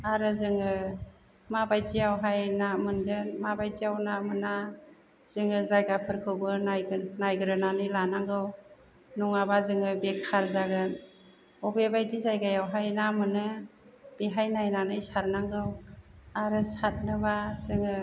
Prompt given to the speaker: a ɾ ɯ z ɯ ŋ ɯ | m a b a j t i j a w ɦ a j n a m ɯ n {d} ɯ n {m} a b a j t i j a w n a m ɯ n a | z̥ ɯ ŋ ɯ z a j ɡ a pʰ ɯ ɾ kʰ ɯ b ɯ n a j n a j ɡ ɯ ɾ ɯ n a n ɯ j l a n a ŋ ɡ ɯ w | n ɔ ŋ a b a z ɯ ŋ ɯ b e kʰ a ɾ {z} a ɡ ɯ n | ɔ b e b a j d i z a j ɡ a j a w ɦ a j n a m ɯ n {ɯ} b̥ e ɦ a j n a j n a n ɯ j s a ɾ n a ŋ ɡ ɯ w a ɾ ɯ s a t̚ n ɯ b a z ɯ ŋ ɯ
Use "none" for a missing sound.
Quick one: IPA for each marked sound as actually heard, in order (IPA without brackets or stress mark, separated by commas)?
d, m, z, ɯ